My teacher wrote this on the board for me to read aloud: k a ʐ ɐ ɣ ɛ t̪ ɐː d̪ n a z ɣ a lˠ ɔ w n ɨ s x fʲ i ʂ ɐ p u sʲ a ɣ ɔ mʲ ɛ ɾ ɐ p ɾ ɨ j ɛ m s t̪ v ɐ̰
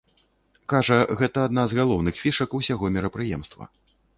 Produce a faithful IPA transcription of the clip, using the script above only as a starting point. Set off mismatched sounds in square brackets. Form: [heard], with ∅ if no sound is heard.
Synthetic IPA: k a ʐ ɐ ɣ ɛ t̪ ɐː d̪ n a z ɣ a lˠ ɔ w n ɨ [∅] x fʲ i ʂ ɐ [k] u sʲ a ɣ ɔ mʲ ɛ ɾ ɐ p ɾ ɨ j ɛ m s t̪ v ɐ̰